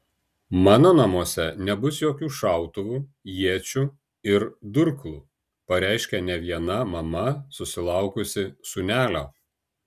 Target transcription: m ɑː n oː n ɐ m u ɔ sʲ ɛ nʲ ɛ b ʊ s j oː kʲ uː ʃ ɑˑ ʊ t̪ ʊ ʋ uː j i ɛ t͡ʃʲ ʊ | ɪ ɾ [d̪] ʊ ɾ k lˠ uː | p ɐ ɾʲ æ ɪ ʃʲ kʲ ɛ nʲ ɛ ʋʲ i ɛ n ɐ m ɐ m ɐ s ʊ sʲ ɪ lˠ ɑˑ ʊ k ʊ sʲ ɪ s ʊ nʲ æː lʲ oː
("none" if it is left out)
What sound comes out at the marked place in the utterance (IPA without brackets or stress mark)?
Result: d̪